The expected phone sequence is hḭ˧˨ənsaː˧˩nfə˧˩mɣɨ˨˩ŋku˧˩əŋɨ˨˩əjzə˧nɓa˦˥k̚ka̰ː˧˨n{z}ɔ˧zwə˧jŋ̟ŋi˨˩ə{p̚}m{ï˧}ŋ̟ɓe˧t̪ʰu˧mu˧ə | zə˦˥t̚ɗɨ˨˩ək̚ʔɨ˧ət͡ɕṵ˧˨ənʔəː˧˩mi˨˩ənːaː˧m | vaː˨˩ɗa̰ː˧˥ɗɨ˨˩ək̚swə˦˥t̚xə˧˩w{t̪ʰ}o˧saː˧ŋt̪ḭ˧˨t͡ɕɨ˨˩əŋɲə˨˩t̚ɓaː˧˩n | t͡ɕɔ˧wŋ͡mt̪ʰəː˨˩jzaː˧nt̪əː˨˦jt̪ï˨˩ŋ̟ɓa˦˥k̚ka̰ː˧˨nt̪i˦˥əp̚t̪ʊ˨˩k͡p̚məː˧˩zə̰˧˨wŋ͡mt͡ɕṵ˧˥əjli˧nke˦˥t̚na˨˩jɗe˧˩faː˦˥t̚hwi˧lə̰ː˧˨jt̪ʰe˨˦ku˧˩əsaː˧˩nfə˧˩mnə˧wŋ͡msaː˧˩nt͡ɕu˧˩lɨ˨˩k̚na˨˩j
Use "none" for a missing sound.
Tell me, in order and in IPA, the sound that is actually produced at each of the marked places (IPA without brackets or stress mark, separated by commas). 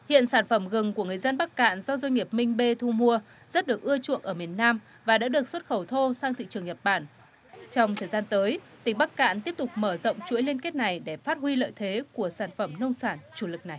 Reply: z, p̚, ï˧, t̪ʰ